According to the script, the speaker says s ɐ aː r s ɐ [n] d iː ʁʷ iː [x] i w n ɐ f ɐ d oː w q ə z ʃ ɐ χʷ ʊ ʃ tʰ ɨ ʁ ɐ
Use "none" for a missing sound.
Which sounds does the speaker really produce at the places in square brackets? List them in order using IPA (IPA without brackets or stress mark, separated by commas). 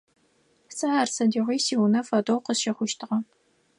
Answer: none, s